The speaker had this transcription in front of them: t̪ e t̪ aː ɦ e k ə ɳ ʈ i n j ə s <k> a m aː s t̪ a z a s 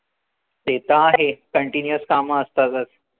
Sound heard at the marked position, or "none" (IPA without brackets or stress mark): k